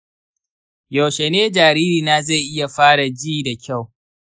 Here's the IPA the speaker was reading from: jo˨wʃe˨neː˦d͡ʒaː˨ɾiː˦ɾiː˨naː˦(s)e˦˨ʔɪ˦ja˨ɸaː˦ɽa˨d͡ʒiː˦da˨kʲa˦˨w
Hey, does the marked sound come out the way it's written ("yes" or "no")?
no